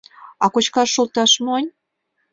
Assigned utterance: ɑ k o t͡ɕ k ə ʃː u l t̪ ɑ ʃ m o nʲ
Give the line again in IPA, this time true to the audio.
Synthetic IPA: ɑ k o t͡ɕ k ɑ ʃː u l t̪ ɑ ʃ m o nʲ

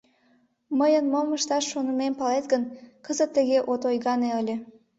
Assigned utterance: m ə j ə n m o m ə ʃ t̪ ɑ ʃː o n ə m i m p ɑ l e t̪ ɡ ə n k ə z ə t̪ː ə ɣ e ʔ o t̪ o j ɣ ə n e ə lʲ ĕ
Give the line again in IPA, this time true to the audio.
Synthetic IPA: m ə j ə n m o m ə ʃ t̪ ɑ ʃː o n ə m e m p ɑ l e t̪ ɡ ə n k ə z ə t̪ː ə ɣ e ʔ o t̪ o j ɣ ɑ n e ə lʲ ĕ

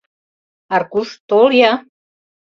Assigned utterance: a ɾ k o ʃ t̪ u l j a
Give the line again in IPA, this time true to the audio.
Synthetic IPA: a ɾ k u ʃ t̪ o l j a

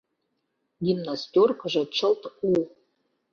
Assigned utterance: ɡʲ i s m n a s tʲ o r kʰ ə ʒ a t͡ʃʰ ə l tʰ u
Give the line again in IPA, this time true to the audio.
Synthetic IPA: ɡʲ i m n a s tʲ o r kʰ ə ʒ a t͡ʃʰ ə l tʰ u

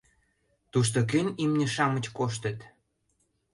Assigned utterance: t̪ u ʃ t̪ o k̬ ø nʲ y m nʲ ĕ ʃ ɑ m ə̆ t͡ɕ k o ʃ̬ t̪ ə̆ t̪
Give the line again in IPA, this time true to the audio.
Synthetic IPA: t̪ u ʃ t̪ o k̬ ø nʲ i m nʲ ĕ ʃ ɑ m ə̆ t͡ɕ k o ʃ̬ t̪ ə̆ t̪

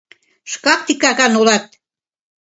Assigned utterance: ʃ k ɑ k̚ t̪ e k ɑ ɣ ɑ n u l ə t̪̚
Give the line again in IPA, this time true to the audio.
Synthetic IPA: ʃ k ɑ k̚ t̪ i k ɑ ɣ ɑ n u l ɑ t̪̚

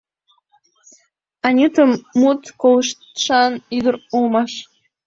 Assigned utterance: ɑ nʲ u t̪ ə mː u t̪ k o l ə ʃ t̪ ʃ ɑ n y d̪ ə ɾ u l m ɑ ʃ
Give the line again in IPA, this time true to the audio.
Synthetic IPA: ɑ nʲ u t̪ ə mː u t̪ k o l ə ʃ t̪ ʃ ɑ n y d̪ ə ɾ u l m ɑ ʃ

